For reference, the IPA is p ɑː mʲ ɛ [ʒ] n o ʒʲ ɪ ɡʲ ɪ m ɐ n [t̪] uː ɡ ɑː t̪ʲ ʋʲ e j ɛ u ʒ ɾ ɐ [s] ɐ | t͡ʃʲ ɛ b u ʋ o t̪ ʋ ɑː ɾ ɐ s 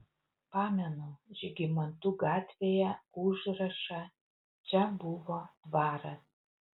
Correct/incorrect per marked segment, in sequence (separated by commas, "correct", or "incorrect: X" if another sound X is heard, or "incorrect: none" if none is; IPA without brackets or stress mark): incorrect: none, correct, incorrect: ʃ